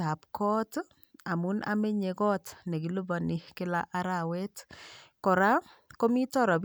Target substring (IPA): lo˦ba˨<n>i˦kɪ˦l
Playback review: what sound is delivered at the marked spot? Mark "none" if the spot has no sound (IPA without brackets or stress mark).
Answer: n